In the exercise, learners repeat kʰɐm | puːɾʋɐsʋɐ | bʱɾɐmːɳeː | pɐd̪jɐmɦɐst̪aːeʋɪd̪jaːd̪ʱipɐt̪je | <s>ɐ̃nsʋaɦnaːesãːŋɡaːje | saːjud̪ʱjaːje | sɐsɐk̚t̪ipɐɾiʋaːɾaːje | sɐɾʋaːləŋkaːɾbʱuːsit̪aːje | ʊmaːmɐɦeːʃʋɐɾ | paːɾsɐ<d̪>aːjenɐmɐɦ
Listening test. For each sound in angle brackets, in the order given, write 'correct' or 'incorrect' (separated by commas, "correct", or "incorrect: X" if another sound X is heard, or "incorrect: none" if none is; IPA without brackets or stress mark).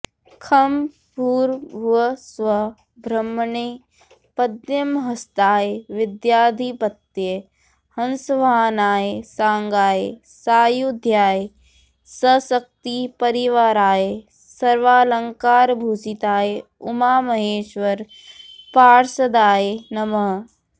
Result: incorrect: h, correct